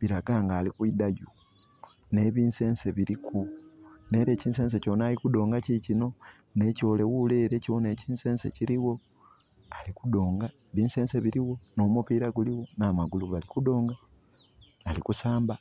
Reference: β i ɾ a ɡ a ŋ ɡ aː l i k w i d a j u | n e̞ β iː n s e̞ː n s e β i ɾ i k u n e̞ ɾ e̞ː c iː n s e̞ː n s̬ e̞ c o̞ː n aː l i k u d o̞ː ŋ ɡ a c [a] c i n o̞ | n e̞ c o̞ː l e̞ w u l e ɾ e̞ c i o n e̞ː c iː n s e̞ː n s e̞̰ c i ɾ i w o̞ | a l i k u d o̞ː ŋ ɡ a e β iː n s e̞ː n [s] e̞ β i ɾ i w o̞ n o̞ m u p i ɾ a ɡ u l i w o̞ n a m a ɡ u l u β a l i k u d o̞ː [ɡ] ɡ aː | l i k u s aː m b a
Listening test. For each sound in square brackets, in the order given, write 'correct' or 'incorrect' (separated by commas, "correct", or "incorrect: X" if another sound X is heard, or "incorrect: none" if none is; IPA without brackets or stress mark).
incorrect: i, correct, incorrect: ŋ